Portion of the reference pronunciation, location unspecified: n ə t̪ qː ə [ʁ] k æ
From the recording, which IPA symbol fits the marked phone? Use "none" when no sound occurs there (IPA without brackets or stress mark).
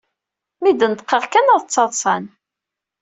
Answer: ʁ